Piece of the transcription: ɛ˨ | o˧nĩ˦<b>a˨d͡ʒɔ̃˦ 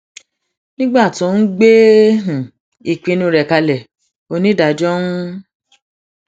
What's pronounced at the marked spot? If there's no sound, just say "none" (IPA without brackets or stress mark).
d